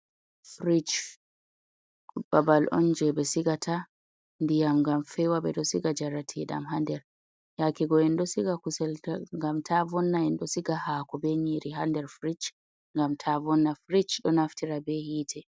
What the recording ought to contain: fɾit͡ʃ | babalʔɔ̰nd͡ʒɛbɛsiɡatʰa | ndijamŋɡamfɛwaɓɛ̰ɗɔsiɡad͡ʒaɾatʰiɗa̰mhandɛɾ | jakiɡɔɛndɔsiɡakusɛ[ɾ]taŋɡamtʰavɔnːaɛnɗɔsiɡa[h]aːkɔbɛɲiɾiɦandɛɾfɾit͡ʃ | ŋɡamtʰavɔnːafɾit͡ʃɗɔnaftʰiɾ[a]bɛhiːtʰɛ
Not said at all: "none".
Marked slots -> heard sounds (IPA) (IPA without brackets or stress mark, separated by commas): l, h, a